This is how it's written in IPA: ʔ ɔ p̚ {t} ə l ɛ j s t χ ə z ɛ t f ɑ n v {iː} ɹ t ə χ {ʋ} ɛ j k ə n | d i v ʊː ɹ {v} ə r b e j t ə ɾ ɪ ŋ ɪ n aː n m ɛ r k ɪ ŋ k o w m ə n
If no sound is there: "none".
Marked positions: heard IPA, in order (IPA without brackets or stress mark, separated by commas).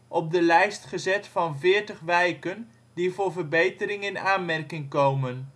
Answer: d, ɪː, ʋ, v